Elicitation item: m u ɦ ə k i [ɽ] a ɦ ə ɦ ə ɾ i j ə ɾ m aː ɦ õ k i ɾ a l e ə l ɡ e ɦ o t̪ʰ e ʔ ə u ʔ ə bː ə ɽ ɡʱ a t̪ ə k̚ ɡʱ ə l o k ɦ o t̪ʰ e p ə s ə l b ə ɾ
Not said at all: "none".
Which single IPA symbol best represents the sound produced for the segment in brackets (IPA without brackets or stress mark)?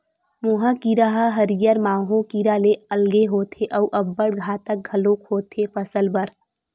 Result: ɾ